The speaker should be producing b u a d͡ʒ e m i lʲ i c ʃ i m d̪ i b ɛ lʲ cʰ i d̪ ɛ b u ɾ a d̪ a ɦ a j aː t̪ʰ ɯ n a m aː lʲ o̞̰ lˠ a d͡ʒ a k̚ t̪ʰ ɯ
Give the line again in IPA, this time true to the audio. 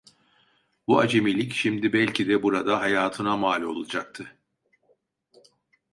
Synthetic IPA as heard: b u a d͡ʒ e m i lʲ i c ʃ i m d̪ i b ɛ lʲ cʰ i d̪ ɛ b u ɾ a d̪ a ɦ a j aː t̪ʰ ɯ n a m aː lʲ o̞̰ lˠ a d͡ʒ a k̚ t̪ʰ ɯ